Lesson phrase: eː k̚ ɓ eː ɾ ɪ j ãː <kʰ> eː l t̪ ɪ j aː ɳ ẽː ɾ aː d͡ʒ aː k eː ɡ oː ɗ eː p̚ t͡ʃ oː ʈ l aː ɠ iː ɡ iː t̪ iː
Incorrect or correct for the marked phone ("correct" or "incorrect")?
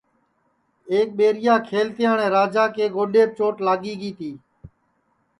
correct